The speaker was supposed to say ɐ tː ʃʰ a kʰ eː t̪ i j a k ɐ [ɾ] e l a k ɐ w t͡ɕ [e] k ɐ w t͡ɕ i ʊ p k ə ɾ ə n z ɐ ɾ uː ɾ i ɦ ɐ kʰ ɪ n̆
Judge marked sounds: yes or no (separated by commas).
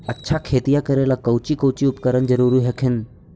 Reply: yes, no